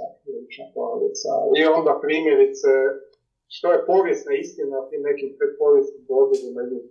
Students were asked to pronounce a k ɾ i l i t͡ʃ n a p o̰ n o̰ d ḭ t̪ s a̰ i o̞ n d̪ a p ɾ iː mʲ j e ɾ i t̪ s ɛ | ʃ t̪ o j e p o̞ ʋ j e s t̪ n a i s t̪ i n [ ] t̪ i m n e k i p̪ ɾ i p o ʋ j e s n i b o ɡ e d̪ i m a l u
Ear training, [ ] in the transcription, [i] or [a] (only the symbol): a